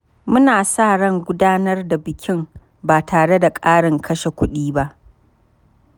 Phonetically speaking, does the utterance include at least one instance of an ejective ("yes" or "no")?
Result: yes